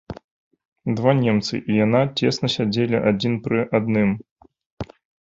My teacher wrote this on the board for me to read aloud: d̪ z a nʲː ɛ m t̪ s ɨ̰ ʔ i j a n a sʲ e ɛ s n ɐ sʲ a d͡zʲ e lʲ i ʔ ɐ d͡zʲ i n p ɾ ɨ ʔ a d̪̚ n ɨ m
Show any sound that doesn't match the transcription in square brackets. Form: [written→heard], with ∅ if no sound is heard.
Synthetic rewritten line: d̪ [z→v] a [nʲː→nʲ] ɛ m t̪ s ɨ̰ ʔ i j a n a [sʲ→t͡sʲ] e ɛ s n ɐ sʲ a d͡zʲ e lʲ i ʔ [ɐ→a] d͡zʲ i n p ɾ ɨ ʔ a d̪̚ n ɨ m